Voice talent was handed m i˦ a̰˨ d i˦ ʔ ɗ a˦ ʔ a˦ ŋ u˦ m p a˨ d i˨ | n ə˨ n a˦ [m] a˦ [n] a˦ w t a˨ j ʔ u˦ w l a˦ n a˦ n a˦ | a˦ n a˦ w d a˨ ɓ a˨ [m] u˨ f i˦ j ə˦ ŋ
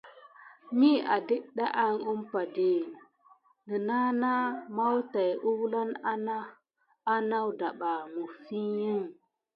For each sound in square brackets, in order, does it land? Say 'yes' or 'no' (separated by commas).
no, no, yes